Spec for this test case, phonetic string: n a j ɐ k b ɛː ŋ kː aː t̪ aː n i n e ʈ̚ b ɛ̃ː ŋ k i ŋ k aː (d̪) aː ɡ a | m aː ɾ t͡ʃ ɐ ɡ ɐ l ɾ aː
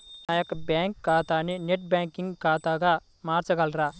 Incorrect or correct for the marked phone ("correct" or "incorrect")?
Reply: incorrect